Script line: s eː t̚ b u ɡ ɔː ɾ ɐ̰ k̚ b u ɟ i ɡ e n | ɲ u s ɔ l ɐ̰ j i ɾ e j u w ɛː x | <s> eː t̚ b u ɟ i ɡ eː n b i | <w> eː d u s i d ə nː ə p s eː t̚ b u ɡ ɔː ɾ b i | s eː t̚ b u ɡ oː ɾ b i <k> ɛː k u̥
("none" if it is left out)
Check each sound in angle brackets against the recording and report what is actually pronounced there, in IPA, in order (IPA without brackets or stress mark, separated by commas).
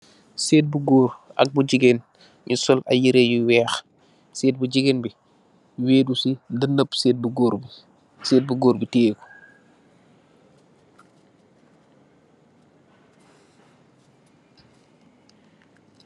s, w, t